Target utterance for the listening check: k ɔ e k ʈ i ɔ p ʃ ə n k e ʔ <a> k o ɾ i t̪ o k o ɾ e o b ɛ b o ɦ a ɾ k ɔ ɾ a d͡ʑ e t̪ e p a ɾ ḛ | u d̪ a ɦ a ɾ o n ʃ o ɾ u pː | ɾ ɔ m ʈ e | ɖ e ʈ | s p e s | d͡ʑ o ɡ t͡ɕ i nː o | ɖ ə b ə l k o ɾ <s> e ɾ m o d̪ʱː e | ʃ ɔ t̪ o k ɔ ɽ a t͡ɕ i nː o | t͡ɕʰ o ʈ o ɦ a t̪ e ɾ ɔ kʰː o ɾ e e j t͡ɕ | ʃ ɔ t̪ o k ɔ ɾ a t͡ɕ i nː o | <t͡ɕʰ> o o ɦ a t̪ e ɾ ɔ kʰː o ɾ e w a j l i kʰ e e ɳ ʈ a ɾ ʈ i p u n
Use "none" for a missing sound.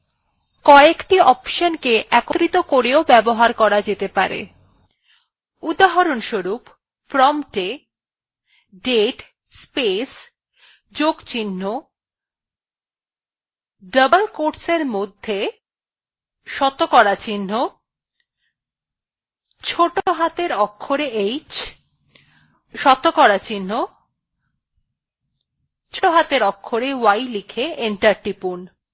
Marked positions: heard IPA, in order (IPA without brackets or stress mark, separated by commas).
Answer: ɛ, s, t͡ɕʰ